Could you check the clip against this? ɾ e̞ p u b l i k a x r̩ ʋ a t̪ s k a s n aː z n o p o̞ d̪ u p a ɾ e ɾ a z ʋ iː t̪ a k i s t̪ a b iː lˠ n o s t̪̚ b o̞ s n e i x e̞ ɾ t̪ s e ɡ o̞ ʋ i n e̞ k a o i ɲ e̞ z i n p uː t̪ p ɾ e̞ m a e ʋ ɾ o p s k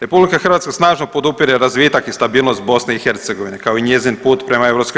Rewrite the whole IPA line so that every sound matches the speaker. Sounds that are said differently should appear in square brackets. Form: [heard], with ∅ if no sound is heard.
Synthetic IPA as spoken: ɾ e̞ p u b l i k a x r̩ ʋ a t̪ s k a s n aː [ʒ] n o p o̞ d̪ u p [i] ɾ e ɾ a z ʋ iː t̪ a k i s t̪ a b iː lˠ n o s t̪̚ b o̞ s n e i x e̞ ɾ t̪ s e ɡ o̞ ʋ i n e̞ k a o i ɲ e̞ z i n p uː t̪ p ɾ e̞ m a e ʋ ɾ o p s k